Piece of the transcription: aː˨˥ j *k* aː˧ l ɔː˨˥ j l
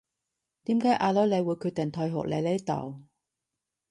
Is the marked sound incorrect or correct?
incorrect